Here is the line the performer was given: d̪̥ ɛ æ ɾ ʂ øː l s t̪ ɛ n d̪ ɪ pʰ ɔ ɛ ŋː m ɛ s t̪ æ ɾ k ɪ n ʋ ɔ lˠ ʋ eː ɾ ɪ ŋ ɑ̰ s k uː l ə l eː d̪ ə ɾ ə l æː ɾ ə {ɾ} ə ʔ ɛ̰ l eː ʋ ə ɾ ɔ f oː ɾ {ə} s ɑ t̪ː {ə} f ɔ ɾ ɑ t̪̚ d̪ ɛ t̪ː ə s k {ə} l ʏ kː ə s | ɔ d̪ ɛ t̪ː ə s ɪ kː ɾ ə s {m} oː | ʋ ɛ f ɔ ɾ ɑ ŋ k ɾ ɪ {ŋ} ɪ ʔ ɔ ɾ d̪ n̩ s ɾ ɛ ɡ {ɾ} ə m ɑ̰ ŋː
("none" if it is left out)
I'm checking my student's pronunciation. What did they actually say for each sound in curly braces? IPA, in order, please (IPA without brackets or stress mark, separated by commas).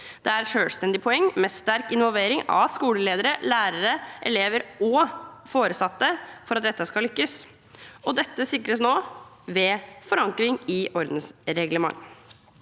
ɾ, ə, ə, ɑ, n, ŋ, l